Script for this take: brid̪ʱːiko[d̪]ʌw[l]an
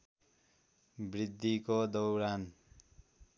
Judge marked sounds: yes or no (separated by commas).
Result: yes, no